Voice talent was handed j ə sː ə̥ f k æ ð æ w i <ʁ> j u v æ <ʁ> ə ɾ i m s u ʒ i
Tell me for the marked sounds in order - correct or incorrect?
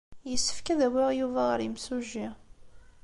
correct, correct

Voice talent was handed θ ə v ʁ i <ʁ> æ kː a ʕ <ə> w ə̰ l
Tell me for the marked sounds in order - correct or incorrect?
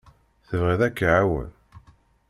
incorrect: ð, incorrect: a

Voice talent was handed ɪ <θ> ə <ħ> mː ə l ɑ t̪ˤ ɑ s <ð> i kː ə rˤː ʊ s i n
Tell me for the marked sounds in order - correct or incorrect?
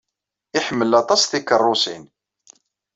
incorrect: ħ, incorrect: none, incorrect: θ

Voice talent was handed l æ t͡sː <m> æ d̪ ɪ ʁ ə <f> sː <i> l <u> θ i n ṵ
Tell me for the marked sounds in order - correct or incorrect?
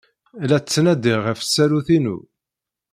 incorrect: n, correct, incorrect: æ, correct

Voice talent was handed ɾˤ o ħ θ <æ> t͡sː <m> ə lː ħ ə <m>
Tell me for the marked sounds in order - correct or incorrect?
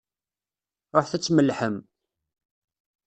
correct, correct, correct

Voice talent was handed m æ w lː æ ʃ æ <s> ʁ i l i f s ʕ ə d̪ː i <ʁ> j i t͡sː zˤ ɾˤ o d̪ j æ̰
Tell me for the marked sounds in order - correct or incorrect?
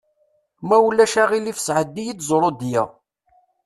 incorrect: none, incorrect: none

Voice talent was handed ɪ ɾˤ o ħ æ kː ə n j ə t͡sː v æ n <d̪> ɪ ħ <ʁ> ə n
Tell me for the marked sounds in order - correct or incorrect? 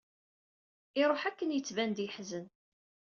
correct, incorrect: z

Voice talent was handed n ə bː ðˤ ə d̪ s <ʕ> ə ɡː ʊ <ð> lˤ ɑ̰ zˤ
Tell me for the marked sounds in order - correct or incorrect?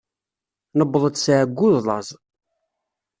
correct, correct

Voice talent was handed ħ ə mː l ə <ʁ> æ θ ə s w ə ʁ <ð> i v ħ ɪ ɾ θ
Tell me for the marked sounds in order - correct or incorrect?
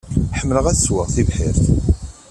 correct, incorrect: θ

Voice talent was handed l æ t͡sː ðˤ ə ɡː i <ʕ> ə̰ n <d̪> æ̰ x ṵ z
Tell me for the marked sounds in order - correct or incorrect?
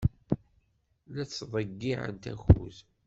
correct, incorrect: t̪

